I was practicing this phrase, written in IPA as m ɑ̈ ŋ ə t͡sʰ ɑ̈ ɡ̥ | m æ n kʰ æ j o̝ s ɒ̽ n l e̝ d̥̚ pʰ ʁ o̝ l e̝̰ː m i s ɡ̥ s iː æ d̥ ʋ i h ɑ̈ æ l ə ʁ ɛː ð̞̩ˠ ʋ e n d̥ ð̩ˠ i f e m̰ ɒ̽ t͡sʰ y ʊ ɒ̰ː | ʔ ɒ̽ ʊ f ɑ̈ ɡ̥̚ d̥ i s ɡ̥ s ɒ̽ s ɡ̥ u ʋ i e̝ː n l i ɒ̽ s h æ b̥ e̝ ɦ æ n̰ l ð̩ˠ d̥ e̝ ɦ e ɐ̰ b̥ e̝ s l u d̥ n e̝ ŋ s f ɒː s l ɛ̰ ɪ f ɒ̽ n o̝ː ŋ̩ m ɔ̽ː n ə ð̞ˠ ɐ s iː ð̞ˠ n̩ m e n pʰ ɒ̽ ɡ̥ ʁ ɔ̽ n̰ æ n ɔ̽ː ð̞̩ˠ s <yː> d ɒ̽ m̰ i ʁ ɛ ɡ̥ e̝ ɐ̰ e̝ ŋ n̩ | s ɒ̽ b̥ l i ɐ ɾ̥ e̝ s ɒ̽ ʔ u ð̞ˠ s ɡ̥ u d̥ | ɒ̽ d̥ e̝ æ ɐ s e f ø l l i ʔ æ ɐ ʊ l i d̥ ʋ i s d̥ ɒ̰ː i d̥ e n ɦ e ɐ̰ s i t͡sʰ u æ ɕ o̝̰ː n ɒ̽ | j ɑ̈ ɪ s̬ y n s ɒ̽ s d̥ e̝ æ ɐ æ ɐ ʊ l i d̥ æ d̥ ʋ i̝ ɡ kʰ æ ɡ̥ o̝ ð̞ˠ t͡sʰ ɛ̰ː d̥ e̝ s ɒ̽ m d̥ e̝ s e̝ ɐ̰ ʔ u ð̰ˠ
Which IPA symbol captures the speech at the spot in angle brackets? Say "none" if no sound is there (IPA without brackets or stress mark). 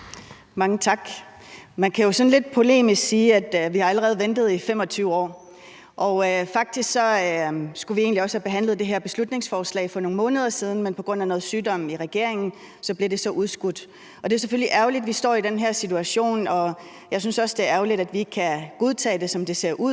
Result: yː